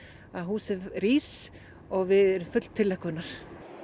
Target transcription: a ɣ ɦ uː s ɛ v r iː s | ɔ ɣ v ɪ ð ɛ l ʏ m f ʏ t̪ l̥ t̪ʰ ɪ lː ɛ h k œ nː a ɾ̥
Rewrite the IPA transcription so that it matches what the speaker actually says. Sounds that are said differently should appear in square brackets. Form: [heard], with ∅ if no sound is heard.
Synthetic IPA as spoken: a [ð] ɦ uː s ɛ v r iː s | ɔ ɣ v ɪ ð ɛ [ɾ] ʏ m f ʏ t̪ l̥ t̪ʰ ɪ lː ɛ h k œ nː a ɾ̥